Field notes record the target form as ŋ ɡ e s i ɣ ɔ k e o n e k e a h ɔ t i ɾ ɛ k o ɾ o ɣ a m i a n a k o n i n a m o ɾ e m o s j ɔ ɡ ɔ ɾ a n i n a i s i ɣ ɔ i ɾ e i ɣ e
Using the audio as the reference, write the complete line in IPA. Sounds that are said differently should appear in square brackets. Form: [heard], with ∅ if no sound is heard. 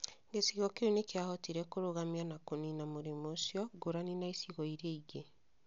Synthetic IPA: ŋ ɡ e s i ɣ ɔ k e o n e k e a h ɔ t i ɾ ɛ k o ɾ o ɣ a m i a n a k o n i n a m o ɾ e m o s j ɔ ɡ [o] ɾ a n i n a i s i ɣ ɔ i ɾ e i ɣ e